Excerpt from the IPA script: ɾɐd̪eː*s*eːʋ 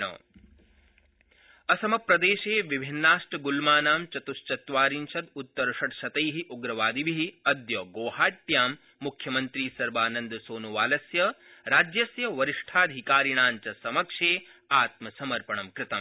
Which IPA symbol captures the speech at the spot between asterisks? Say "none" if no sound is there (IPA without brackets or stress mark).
ʃ